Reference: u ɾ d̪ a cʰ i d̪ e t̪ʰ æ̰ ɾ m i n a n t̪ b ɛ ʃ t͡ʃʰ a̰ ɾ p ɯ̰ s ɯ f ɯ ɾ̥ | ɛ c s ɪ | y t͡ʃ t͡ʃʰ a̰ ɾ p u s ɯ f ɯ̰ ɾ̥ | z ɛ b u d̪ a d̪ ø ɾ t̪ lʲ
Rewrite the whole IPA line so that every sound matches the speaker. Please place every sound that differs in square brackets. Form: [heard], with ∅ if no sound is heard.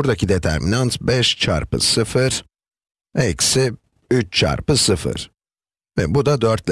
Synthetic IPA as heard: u ɾ d̪ a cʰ i d̪ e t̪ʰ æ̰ ɾ m i n a n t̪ b ɛ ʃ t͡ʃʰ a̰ ɾ p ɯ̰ s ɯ f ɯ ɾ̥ | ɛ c s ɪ | y t͡ʃ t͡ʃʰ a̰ ɾ p [ɯ] s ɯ f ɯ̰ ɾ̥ | [v] ɛ b u d̪ a d̪ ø ɾ t̪ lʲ